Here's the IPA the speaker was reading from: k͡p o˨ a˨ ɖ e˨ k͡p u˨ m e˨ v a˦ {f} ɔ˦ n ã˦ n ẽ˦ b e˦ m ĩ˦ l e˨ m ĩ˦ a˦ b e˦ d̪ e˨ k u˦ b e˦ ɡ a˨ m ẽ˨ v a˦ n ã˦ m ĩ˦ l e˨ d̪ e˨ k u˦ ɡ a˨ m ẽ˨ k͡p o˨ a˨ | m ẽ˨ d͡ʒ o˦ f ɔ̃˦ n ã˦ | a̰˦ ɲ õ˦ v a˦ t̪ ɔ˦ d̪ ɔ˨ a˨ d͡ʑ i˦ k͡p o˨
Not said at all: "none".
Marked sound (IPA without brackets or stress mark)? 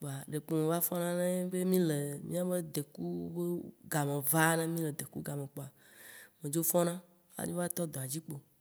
f